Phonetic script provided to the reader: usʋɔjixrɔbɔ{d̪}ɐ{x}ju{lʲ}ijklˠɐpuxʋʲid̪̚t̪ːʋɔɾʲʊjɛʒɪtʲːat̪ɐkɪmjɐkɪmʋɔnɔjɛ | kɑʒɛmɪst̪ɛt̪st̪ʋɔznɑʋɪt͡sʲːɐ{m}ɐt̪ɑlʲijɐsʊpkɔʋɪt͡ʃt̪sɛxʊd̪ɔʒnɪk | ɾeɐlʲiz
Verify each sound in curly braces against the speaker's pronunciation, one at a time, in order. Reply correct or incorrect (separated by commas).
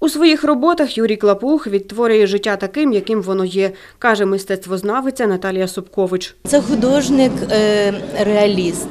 incorrect, correct, incorrect, incorrect